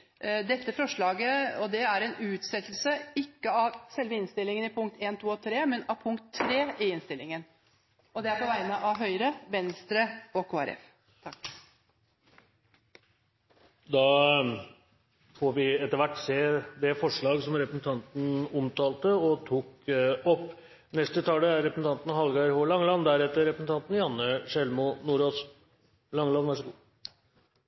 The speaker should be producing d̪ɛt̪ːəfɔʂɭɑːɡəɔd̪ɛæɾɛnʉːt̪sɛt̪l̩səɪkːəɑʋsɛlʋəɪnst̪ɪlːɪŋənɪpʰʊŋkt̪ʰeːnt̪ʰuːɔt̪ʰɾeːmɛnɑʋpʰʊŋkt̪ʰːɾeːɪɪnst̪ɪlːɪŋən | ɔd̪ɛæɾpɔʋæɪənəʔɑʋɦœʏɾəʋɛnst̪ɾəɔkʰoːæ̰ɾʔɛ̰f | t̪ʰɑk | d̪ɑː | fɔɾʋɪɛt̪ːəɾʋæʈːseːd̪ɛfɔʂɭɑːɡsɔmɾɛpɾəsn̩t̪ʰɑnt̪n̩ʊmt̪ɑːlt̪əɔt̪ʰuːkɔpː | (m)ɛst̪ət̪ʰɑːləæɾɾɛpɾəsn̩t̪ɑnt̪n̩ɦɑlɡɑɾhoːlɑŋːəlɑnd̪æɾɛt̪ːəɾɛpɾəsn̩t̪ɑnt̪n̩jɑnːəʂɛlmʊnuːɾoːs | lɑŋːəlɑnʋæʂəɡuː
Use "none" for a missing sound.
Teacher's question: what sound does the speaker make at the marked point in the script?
n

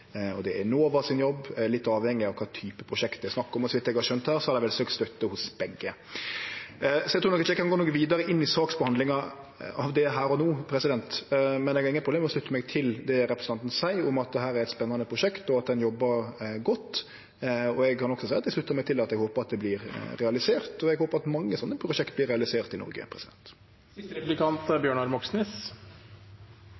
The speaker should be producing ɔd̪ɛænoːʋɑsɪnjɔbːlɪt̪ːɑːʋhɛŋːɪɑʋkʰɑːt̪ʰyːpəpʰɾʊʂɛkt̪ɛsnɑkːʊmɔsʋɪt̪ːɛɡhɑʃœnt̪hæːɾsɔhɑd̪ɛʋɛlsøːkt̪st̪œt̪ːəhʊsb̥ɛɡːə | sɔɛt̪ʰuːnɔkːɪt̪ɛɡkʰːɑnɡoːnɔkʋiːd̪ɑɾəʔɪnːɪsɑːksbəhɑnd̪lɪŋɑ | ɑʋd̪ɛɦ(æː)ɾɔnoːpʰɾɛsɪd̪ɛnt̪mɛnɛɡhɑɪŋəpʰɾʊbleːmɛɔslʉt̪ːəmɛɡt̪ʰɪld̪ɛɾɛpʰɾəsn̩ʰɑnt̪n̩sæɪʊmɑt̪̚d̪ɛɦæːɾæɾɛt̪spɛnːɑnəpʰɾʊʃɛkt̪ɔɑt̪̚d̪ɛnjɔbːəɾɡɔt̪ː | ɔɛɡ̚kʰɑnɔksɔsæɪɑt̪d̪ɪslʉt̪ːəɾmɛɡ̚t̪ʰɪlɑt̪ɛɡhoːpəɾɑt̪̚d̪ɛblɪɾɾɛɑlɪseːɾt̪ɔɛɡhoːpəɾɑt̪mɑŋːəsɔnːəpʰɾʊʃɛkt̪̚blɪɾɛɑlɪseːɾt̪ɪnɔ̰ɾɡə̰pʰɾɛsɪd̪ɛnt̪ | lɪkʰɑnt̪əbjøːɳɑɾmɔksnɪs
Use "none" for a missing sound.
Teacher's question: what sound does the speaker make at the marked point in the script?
æː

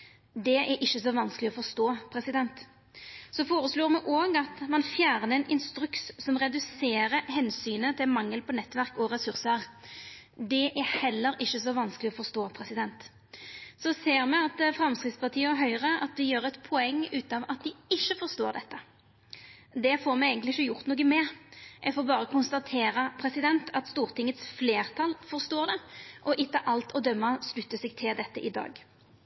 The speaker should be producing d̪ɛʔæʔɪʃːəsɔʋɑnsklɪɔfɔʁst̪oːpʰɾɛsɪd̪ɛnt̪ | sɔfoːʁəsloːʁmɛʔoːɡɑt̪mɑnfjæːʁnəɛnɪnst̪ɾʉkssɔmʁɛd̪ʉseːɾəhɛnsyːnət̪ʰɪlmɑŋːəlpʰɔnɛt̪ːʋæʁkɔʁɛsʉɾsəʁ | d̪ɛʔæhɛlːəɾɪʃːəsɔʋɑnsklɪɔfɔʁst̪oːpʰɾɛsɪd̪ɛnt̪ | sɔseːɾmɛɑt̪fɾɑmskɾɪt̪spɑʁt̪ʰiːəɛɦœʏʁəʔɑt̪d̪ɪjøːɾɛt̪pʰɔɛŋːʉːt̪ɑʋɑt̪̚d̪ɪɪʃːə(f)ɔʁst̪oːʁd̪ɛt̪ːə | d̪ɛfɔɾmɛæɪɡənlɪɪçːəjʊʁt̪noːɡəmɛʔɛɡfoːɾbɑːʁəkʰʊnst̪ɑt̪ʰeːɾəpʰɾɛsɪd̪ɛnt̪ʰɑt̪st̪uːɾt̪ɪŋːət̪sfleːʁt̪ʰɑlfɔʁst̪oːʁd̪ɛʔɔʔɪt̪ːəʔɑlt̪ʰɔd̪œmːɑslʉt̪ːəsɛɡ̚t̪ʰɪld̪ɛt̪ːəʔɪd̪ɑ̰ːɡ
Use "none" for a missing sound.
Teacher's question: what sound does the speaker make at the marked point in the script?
f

